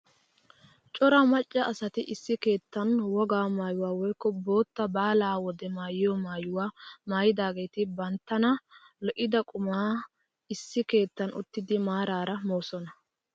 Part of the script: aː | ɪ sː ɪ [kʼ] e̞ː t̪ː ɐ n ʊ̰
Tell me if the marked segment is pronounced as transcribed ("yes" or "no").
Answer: no